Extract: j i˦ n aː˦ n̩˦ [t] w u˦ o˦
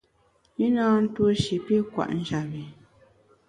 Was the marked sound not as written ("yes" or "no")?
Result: no